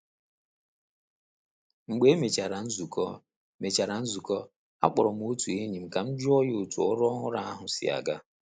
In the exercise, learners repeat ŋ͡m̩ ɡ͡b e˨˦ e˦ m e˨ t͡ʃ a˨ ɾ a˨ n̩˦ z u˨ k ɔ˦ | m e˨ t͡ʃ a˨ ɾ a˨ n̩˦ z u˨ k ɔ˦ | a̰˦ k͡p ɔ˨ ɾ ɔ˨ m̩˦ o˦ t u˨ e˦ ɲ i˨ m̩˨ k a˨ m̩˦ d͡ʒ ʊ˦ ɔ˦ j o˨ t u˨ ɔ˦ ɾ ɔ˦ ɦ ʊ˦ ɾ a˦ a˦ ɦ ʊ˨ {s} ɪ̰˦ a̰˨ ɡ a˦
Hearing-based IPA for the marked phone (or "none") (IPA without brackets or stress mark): s